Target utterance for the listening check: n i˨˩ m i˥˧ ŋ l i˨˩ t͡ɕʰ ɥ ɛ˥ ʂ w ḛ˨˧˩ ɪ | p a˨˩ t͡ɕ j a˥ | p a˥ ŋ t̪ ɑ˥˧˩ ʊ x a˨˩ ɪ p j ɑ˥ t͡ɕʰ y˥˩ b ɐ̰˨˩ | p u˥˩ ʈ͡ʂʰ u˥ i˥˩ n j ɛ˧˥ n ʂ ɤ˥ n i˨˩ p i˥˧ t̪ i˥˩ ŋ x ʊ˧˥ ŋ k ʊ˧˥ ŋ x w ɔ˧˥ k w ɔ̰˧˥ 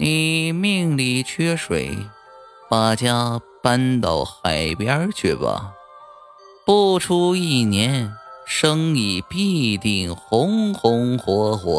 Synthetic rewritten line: n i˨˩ m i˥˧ ŋ l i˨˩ t͡ɕʰ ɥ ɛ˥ ʂ w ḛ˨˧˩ ɪ | p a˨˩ t͡ɕ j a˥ | p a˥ n t̪ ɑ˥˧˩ ʊ x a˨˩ ɪ p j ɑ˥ t͡ɕʰ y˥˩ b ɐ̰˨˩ | p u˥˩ ʈ͡ʂʰ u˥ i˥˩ n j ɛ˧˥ n ʂ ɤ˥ ŋ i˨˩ p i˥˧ t̪ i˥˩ ŋ x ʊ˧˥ ŋ x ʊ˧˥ ŋ x w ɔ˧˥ x w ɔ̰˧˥